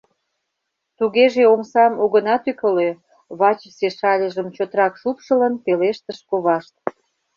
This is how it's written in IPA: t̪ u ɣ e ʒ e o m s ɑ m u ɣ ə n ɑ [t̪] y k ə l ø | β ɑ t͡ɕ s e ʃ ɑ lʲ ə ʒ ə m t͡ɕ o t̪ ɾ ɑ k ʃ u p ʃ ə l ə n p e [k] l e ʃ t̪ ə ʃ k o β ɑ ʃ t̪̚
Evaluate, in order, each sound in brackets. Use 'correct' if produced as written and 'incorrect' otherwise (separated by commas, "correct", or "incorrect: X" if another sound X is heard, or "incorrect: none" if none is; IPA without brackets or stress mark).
correct, incorrect: none